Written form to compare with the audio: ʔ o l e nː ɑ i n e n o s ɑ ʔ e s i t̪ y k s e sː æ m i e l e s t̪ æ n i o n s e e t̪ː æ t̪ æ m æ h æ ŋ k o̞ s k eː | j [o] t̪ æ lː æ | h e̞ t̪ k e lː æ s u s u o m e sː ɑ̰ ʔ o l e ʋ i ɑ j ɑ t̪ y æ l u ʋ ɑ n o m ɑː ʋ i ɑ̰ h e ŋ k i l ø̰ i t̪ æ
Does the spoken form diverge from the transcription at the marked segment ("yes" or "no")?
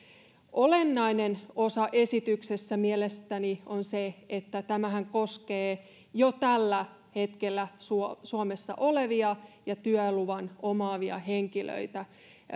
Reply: no